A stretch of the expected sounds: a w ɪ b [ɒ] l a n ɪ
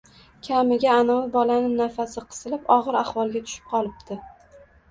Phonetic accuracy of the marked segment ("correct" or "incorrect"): correct